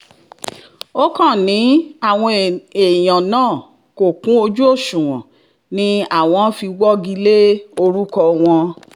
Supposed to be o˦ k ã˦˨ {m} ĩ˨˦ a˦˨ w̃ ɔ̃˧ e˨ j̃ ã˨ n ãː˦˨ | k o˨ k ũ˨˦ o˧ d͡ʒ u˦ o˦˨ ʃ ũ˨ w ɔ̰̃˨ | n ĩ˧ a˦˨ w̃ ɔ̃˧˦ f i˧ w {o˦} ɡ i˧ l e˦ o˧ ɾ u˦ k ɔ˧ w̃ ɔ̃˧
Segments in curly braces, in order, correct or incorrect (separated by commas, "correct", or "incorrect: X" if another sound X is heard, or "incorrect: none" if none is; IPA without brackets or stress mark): incorrect: n, incorrect: ɔ˦